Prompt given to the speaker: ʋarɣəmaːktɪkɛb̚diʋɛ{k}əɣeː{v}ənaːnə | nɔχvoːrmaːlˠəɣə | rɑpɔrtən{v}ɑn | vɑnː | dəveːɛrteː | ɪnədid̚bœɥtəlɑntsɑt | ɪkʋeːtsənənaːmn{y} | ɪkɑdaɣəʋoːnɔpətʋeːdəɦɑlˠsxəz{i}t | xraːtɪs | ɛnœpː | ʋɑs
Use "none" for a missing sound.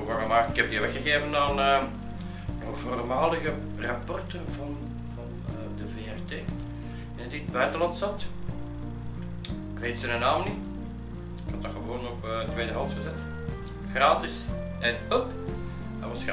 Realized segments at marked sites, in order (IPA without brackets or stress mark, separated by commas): x, v, v, i, ɛ